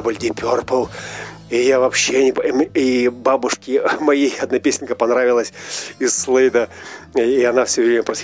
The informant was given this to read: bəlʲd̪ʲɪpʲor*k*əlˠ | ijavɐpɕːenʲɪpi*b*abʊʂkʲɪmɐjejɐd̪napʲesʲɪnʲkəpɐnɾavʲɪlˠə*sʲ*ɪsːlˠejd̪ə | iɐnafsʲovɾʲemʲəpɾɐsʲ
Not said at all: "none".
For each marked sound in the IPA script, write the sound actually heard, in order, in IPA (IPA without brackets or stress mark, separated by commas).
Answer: p, b, sʲ